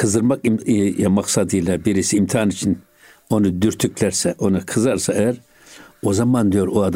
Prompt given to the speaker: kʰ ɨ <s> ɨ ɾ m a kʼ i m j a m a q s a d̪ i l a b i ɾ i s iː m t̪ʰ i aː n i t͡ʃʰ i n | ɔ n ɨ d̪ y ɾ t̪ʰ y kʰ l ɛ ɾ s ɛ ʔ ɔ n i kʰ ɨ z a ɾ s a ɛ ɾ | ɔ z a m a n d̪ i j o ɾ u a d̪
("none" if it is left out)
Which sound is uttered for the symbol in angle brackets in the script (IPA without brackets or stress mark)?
z